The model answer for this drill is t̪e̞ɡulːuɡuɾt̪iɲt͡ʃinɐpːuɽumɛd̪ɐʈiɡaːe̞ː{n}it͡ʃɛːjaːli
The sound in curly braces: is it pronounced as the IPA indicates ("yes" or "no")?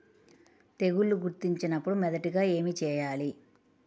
no